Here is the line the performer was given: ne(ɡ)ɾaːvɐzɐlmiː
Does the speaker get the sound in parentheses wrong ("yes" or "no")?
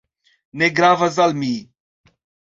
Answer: no